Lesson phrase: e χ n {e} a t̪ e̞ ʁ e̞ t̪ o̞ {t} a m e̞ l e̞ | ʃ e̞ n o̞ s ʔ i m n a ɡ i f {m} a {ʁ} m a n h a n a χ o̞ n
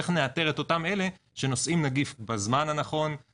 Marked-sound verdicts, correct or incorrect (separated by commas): correct, correct, incorrect, incorrect